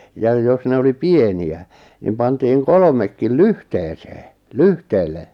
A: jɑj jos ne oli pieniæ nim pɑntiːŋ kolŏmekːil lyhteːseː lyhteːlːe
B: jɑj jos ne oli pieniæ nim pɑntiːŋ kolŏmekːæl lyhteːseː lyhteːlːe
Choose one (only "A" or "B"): A